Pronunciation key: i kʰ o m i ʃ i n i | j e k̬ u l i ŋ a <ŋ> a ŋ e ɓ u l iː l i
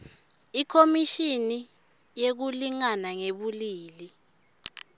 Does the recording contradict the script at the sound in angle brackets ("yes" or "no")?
yes